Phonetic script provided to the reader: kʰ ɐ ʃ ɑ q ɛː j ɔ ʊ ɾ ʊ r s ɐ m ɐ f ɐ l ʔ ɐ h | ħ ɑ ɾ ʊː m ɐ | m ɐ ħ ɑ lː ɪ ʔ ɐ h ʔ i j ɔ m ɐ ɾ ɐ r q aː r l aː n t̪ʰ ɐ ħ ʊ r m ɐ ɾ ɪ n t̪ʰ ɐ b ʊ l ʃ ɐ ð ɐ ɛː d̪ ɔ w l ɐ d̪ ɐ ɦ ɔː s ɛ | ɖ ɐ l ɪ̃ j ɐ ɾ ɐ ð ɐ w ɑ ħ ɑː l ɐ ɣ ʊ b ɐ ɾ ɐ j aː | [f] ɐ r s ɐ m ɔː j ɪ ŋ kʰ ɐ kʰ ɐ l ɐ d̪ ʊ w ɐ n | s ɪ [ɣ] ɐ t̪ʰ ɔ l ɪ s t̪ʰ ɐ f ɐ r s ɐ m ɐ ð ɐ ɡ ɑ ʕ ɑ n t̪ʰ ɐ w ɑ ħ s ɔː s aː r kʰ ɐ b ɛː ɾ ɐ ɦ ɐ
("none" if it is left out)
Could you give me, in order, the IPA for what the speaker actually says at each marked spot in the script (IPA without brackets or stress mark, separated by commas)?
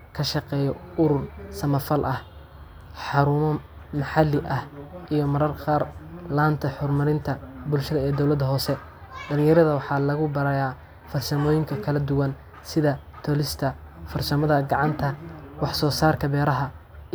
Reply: f, ð